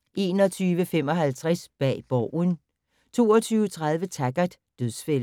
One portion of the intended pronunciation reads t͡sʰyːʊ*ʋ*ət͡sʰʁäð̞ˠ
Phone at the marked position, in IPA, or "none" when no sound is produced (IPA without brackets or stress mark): none